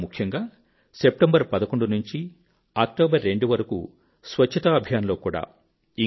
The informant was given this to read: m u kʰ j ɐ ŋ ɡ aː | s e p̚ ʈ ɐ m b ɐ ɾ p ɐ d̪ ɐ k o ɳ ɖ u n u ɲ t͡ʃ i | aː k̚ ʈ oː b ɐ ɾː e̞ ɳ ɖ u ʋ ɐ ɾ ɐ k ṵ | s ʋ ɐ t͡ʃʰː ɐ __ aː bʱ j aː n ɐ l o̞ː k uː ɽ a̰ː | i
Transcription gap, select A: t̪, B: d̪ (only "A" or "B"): A